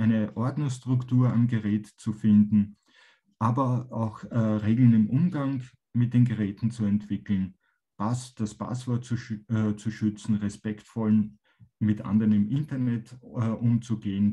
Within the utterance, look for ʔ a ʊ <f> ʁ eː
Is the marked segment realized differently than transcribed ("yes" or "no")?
yes